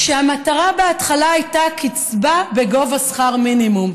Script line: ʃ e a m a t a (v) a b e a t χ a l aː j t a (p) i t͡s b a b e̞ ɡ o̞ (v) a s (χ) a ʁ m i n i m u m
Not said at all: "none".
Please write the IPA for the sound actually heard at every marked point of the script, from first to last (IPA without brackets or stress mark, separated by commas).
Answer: ʁ, k, v, χ